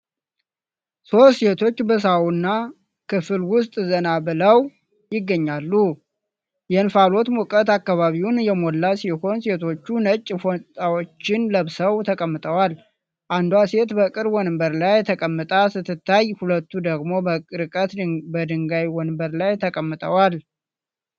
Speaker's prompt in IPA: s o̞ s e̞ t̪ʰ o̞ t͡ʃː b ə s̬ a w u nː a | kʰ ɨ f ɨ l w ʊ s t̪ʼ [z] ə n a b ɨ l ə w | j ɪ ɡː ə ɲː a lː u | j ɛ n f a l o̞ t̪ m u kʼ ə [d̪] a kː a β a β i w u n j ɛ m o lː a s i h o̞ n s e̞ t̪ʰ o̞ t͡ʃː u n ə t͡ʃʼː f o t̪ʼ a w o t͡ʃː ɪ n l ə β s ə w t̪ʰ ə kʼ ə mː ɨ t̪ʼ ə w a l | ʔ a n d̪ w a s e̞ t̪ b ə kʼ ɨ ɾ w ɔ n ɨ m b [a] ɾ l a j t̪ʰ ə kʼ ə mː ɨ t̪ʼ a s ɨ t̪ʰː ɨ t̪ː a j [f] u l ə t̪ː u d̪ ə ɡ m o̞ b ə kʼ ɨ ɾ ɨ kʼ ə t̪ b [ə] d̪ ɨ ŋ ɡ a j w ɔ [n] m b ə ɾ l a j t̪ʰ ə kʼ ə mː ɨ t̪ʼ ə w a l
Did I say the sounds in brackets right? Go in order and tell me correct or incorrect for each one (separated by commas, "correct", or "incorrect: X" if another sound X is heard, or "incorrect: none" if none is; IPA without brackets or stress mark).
correct, incorrect: t̪, incorrect: ə, incorrect: h, correct, correct